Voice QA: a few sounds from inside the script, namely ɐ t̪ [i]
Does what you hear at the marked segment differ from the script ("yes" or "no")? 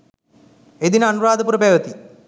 no